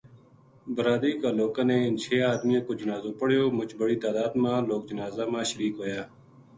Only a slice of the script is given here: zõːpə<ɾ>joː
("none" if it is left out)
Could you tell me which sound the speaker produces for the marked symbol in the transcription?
ɽ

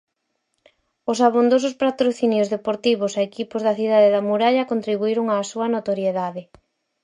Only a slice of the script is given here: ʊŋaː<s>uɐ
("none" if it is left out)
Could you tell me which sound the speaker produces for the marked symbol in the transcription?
s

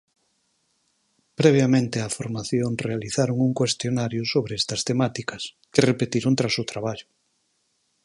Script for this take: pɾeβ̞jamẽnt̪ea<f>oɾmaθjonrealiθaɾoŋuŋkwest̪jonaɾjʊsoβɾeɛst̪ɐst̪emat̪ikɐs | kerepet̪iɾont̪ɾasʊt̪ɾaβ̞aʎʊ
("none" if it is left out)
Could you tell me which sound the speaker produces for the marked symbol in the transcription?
f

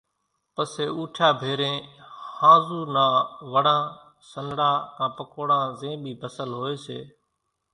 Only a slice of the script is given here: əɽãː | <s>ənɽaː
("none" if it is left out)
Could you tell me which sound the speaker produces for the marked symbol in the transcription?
s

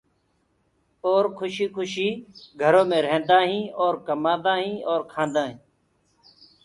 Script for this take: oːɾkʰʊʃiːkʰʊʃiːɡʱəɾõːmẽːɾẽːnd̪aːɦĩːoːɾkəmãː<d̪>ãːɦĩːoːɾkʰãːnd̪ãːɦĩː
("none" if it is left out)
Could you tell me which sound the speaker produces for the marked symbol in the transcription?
d̪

